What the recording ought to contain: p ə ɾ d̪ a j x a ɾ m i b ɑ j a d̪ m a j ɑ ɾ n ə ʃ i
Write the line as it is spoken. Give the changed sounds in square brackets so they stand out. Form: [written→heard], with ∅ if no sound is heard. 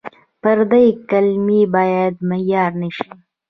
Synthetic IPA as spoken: p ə ɾ d̪ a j [x→k] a [ɾ→l] m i b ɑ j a d̪ m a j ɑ ɾ n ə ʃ i